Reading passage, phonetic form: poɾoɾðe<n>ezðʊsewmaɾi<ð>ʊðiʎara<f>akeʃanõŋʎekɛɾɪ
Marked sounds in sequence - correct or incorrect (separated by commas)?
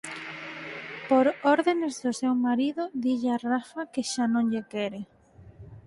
correct, correct, correct